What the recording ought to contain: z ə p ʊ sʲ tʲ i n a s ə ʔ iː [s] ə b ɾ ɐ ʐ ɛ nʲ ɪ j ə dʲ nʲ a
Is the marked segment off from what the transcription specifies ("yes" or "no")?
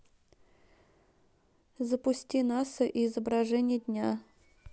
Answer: yes